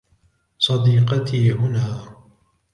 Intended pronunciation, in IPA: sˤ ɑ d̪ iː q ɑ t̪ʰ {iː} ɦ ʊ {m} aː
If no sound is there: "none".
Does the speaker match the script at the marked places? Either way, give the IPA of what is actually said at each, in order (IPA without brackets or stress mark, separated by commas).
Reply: iː, n